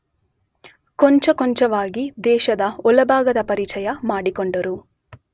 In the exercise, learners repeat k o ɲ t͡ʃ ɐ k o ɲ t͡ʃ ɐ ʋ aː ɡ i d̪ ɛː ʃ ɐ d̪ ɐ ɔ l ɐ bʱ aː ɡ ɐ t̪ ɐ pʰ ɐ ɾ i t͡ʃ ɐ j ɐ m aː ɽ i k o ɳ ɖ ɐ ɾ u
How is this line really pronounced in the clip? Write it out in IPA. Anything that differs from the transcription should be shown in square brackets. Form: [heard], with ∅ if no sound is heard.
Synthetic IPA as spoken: k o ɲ t͡ʃ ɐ k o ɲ t͡ʃ ɐ ʋ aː ɡ i d̪ ɛː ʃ ɐ d̪ ɐ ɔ l ɐ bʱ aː ɡ ɐ [d̪] ɐ [p] ɐ ɾ i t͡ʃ ɐ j ɐ m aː ɽ i k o ɳ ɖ ɐ ɾ u